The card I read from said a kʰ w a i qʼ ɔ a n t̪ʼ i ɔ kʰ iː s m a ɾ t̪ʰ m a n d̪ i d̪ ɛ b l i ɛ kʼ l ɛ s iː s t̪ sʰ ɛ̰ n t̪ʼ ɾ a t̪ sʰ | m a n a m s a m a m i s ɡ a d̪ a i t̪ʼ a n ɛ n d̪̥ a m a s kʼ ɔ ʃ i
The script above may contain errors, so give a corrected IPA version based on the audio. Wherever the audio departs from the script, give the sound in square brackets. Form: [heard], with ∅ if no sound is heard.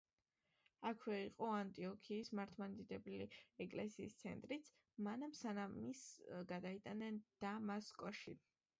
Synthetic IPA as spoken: a kʰ w [ɛ] i qʼ ɔ a n t̪ʼ i ɔ kʰ iː s m a ɾ t̪ʰ m a n d̪ i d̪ ɛ b l i ɛ kʼ l ɛ s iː s t̪ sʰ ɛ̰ n t̪ʼ ɾ [i] t̪ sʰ | m a n a m s a [n] a m i s ɡ a d̪ a i t̪ʼ a n ɛ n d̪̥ a m a s kʼ ɔ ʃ i

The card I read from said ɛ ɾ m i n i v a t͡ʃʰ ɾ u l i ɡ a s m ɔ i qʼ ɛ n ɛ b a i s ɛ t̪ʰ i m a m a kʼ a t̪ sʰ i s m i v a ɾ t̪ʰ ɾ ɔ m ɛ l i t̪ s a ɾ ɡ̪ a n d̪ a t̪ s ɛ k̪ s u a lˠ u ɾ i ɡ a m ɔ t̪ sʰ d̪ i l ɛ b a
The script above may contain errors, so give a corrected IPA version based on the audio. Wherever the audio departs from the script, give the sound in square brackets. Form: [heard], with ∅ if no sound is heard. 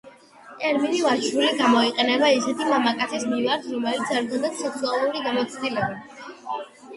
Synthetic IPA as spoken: ɛ ɾ m i n i v a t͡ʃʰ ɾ u l i ɡ a [∅] m ɔ i qʼ ɛ n ɛ b a i s ɛ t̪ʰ i m a m a kʼ a t̪ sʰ i s m i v a ɾ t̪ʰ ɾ ɔ m ɛ l i t̪ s a ɾ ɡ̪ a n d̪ a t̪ s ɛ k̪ s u a lˠ u ɾ i ɡ a m ɔ t̪ sʰ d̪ i l ɛ b a

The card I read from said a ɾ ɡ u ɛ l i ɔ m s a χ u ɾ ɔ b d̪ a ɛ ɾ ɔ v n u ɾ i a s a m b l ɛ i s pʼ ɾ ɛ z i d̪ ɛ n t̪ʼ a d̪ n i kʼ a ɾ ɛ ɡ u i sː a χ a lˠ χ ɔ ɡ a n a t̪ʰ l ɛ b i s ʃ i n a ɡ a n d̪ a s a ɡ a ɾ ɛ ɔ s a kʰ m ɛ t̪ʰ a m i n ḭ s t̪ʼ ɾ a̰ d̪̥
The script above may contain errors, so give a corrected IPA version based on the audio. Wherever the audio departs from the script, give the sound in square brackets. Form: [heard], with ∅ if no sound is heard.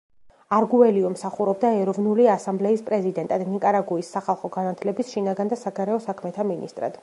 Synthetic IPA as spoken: a ɾ ɡ u ɛ l i ɔ m s a χ u ɾ ɔ b d̪ a ɛ ɾ ɔ v n u [l] i a s a m b l ɛ i s pʼ ɾ ɛ z i d̪ ɛ n t̪ʼ a d̪ n i kʼ a ɾ [a] ɡ u i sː a χ a lˠ χ ɔ ɡ a n a t̪ʰ l ɛ b i s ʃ i n a ɡ a n d̪ a s a ɡ a ɾ ɛ ɔ s a kʰ m ɛ t̪ʰ a m i n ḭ s t̪ʼ ɾ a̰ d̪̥

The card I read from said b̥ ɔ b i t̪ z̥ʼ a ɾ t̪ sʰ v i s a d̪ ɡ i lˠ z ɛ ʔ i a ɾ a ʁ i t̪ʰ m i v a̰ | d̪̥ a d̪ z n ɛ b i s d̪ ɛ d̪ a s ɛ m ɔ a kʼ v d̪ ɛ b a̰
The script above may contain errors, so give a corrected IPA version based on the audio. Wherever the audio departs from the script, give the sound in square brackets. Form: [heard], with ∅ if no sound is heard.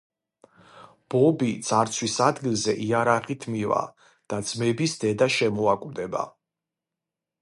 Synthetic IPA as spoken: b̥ ɔ b i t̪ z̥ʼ a ɾ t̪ sʰ [w] i s a d̪ ɡ i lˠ z ɛ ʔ i a ɾ a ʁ i t̪ʰ m i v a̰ | d̪̥ a d̪ z [m] ɛ b i s d̪ ɛ d̪ a [ʃ] ɛ m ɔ a kʼ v d̪ ɛ b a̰

